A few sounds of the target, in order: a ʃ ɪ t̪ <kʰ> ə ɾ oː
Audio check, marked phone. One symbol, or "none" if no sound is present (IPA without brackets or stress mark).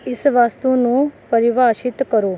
k